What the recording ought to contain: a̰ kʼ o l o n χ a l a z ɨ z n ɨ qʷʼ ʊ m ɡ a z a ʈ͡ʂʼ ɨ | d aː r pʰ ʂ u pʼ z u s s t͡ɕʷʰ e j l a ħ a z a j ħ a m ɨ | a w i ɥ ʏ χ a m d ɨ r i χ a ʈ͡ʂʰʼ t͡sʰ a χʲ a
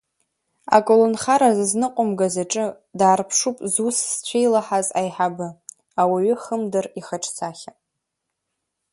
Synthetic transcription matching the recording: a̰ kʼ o l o n χ a ɾ a z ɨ z n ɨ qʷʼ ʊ m ɡ a z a ʈ͡ʂʼ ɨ | d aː r pʰ ʂ u pʼ z u s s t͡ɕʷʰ e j l a ħ a z a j ħ a b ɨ | a w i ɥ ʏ χ ə m d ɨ r i χ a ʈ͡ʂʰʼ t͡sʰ a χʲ a